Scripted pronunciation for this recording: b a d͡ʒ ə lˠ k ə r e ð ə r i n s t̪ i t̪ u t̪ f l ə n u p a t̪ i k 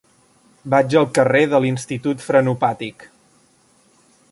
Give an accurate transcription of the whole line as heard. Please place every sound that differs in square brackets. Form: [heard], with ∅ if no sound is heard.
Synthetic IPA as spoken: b a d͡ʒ ə lˠ k ə r e ð ə [l] i n s t̪ i t̪ u t̪ f [ɾ] ə n u p a t̪ i k